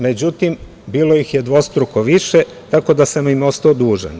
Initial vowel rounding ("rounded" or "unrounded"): unrounded